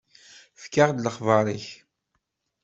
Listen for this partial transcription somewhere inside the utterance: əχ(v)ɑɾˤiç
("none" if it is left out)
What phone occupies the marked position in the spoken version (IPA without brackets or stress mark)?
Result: v